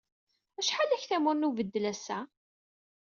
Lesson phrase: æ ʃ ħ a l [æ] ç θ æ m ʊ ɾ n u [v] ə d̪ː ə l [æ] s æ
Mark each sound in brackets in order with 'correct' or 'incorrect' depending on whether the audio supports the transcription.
correct, correct, correct

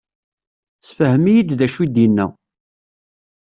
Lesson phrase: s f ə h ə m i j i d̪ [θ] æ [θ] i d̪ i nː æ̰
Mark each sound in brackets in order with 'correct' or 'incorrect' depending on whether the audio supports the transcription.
incorrect: ð, incorrect: ʃ

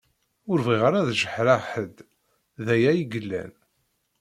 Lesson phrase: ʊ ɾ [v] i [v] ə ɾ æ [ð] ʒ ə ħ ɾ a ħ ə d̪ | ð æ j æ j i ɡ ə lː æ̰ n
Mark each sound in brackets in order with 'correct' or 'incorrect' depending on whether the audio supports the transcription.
correct, incorrect: ʁ, correct

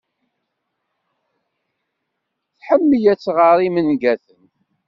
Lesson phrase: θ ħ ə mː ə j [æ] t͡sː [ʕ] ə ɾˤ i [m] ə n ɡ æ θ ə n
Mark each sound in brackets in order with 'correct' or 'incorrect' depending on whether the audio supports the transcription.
correct, incorrect: ʁ, correct

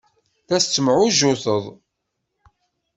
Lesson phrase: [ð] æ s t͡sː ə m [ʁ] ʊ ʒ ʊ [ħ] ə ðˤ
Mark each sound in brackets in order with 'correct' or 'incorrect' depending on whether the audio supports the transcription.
incorrect: θ, incorrect: ʕ, incorrect: θ

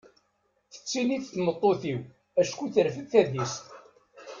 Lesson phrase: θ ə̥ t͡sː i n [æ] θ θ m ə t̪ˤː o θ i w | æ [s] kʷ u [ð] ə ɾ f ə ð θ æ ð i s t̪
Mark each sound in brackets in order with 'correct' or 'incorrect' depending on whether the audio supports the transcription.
incorrect: i, incorrect: ʃ, incorrect: θ

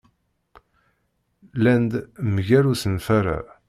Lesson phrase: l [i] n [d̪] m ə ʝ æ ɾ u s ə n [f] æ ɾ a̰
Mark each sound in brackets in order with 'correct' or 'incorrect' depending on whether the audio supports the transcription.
incorrect: æ, correct, correct

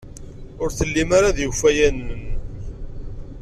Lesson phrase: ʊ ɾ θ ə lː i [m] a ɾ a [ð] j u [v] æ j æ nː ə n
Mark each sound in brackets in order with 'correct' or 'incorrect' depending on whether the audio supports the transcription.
correct, correct, incorrect: f

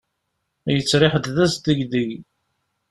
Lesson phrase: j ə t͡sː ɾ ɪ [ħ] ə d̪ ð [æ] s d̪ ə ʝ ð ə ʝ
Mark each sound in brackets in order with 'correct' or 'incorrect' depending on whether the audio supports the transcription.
correct, correct

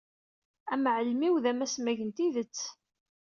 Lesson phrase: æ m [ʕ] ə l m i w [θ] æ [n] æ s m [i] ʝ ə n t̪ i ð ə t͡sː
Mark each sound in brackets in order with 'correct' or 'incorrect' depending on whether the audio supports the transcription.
correct, incorrect: ð, incorrect: m, incorrect: æ

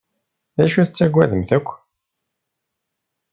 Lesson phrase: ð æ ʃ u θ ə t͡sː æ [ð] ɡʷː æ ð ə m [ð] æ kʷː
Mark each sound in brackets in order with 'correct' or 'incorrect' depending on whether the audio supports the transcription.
incorrect: none, incorrect: θ

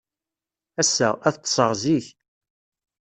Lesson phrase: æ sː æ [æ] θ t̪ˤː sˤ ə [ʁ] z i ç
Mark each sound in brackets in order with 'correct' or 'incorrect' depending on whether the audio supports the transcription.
correct, correct

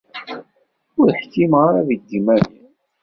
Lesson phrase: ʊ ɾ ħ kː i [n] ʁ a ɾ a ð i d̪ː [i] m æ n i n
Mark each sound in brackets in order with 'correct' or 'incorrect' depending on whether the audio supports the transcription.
incorrect: m, correct

